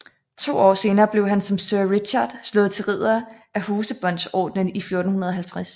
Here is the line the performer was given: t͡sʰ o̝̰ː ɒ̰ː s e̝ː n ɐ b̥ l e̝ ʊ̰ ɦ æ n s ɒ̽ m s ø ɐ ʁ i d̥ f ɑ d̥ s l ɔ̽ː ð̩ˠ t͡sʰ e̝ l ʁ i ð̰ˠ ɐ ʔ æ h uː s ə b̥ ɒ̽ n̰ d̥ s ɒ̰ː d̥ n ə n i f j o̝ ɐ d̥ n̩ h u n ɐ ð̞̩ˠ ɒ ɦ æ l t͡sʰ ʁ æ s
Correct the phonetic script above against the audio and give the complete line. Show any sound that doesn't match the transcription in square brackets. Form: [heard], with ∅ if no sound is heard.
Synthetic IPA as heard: t͡sʰ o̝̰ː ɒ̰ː s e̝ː n [ɐː] b̥ l e̝ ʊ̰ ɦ æ n s ɒ̽ m s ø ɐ ʁ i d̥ [ɕ] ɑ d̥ s l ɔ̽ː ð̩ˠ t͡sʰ e̝ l ʁ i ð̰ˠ ɐ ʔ æ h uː s ə b̥ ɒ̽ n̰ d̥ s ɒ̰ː d̥ n ə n i f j o̝ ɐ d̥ n̩ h u n ɐ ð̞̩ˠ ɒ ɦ æ l t͡sʰ ʁ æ s